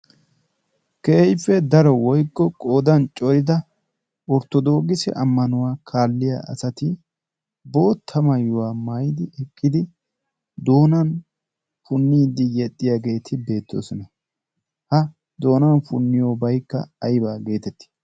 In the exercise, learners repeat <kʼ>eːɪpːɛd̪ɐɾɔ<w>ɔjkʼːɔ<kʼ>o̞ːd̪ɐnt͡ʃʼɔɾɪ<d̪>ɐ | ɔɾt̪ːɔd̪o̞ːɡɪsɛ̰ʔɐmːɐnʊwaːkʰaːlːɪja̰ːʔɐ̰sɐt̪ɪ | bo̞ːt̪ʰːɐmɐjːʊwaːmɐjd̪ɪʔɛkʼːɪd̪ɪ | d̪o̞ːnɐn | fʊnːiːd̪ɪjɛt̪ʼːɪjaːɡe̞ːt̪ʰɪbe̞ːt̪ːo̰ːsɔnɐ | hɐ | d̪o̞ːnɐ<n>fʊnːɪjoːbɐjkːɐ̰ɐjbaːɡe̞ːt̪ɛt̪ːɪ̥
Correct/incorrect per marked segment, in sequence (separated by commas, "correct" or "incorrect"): incorrect, correct, correct, correct, correct